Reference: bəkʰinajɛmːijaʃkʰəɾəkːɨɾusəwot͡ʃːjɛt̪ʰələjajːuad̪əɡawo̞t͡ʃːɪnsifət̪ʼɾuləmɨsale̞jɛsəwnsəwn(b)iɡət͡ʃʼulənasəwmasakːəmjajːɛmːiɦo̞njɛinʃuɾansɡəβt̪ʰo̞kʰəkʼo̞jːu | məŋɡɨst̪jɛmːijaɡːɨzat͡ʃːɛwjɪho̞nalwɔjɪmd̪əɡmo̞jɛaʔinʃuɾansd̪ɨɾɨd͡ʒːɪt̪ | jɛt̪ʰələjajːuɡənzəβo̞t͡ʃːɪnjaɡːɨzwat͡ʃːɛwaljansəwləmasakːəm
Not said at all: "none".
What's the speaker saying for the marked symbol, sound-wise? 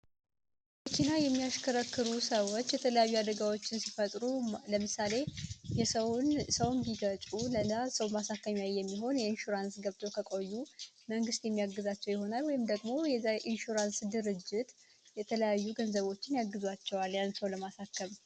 b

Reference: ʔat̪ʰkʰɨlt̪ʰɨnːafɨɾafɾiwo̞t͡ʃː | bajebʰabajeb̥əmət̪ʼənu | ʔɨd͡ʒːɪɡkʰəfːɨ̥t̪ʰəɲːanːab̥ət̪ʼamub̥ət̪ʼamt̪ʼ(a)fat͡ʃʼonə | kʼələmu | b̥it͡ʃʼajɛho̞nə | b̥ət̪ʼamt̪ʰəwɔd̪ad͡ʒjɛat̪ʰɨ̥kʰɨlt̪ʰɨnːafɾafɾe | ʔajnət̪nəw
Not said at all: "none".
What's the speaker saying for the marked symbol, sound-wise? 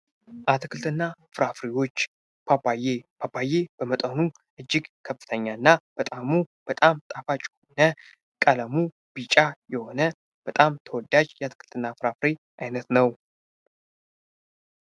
a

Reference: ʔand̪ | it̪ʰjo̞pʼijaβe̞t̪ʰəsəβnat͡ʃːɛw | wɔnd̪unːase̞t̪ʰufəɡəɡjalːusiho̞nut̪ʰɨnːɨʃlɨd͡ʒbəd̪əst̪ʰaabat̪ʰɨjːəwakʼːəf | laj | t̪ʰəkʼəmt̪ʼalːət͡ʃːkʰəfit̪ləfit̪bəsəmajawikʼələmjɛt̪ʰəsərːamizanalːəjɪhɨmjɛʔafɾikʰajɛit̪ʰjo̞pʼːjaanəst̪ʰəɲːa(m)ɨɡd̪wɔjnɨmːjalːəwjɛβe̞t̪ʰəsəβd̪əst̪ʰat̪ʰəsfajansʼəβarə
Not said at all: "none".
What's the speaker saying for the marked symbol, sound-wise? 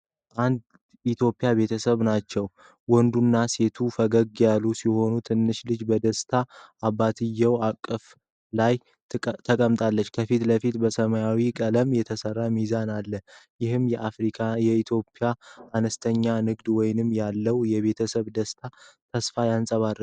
n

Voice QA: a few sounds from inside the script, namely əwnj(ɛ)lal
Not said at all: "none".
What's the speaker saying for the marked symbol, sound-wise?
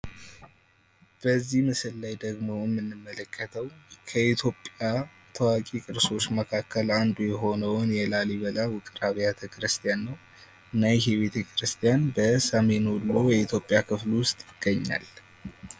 ɛ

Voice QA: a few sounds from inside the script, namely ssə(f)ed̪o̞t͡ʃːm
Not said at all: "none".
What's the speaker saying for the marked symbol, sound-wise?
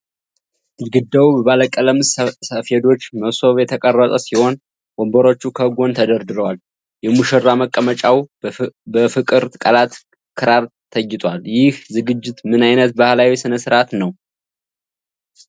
f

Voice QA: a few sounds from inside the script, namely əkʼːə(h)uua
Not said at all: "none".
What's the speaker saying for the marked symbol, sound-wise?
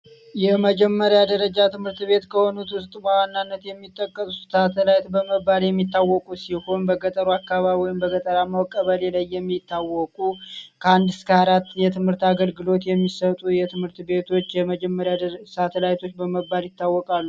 s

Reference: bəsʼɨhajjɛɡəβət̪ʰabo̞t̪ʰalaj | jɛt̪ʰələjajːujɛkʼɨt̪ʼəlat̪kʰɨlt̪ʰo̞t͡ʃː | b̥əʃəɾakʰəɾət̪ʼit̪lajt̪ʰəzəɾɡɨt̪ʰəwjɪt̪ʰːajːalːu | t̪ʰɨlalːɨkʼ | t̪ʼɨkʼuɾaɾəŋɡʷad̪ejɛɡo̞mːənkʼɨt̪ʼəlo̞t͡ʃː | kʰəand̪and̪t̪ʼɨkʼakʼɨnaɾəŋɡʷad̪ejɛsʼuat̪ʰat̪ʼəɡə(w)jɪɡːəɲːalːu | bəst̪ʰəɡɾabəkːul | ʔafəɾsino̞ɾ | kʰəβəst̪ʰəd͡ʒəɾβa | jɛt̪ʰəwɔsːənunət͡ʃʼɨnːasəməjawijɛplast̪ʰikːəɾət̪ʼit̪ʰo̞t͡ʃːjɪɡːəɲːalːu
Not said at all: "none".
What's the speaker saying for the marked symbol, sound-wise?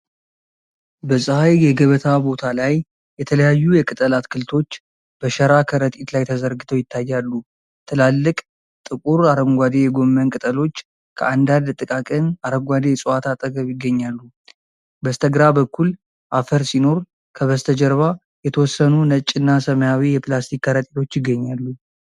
β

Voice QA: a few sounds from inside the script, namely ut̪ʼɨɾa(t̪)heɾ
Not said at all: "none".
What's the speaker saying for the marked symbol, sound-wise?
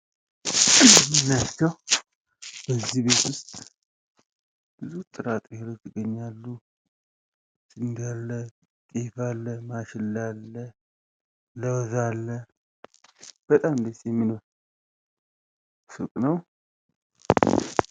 t̪ʼ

